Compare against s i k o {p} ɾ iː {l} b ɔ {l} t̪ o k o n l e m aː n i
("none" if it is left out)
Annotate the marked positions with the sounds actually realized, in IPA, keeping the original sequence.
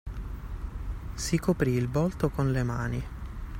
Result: p, l, l

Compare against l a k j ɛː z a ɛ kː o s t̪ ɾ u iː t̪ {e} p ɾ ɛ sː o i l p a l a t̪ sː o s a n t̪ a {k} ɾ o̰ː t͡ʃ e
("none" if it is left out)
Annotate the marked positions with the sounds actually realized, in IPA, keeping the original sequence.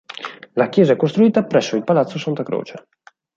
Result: a, k

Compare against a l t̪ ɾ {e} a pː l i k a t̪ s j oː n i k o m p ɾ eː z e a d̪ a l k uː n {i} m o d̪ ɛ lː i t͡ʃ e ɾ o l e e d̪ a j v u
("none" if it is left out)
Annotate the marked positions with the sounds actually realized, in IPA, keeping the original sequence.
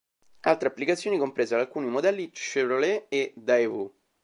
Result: e, i

